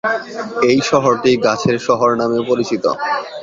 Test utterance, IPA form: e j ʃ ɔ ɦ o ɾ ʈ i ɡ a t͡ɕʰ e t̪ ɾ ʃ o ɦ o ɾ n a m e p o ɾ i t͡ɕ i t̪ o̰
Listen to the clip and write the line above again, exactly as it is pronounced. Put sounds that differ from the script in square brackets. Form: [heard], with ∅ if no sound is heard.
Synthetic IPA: e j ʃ ɔ ɦ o ɾ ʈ i ɡ a t͡ɕʰ e [∅] ɾ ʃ [ɔ] ɦ o ɾ n a m e p o ɾ i t͡ɕ i t̪ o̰

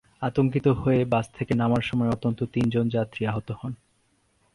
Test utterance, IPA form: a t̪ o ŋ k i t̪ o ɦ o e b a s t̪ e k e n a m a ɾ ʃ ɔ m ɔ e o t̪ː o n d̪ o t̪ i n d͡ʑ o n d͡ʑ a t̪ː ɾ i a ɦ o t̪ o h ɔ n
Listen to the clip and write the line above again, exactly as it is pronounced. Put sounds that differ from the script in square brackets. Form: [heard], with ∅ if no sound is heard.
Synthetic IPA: a t̪ o ŋ k i t̪ o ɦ o e b a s [t̪ʰ] e k e n a m a ɾ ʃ ɔ m ɔ e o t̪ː o n [t̪] o t̪ i n d͡ʑ o n d͡ʑ a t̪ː ɾ i a ɦ o t̪ o h ɔ n

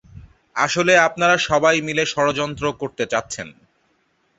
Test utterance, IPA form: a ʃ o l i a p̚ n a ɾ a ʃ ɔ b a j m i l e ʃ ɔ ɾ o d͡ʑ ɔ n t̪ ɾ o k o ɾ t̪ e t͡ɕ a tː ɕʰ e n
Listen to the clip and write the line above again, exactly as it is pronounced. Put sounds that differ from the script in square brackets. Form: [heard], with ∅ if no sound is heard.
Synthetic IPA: a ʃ o l [e] a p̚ n a ɾ a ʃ ɔ b a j m i l e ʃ ɔ ɾ o d͡ʑ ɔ n t̪ ɾ o k o ɾ t̪ e t͡ɕ a tː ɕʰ e n

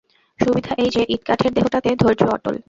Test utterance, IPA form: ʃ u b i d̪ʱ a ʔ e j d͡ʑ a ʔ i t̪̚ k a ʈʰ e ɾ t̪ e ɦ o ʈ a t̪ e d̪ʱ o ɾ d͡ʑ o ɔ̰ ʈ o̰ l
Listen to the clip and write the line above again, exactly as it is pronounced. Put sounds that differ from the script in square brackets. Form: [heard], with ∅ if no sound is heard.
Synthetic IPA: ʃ u b i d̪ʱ a ʔ e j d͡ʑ [e] ʔ i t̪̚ k a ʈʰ e ɾ [d̪] e ɦ o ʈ a t̪ e d̪ʱ o ɾ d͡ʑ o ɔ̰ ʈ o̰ l

